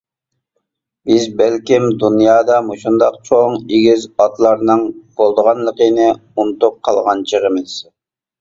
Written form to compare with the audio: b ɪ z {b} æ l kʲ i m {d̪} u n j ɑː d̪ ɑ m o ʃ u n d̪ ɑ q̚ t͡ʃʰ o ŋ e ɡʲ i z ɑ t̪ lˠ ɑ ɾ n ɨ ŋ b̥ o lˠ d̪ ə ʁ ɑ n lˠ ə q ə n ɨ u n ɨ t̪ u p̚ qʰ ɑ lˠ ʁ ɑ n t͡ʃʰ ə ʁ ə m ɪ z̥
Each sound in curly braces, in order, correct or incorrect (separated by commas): correct, correct